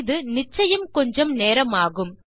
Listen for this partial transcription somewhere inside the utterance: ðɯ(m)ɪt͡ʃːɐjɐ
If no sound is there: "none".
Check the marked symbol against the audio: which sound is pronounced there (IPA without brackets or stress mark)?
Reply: n